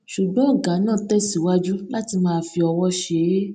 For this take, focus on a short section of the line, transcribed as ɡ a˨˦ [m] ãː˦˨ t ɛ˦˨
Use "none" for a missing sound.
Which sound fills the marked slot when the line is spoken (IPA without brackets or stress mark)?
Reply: n